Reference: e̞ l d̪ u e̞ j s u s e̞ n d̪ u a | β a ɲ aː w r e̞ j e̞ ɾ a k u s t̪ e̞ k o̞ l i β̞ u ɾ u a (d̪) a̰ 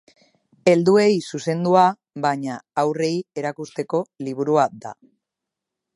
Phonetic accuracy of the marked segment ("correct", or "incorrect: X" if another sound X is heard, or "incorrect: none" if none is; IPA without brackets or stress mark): correct